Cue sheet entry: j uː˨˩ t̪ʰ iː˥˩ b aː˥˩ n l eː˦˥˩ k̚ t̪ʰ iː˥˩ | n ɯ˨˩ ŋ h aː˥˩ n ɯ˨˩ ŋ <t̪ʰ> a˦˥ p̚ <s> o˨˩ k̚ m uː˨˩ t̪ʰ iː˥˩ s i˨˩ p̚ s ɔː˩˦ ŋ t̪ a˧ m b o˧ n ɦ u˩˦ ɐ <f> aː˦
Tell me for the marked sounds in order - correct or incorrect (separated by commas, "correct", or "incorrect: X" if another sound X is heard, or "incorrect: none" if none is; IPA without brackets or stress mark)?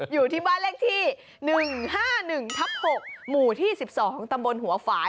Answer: correct, incorrect: h, correct